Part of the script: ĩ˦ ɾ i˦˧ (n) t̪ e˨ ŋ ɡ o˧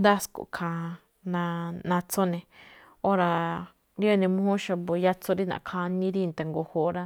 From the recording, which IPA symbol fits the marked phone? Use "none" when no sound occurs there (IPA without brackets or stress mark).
n